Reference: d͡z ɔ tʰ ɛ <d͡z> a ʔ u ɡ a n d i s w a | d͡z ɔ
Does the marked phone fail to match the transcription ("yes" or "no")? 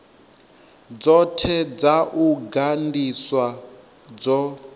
no